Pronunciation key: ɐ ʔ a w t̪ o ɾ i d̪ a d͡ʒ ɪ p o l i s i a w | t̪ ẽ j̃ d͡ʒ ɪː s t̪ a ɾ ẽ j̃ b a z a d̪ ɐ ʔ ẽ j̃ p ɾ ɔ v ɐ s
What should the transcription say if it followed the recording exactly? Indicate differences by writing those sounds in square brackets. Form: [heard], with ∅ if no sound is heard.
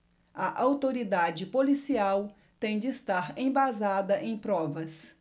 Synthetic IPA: ɐ ʔ a w t̪ o ɾ i d̪ a d͡ʒ ɪ p o l i s i a w | t̪ ẽ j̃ d͡ʒ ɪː s t̪ a ɾ ẽ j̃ b a z a d̪ ɐ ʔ ẽ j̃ p ɾ ɔ v ɐ s